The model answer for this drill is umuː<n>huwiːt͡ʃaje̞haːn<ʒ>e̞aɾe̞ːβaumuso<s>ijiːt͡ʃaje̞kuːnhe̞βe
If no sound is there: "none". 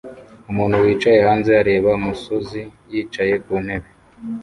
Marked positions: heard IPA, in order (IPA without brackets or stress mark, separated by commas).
n, z, z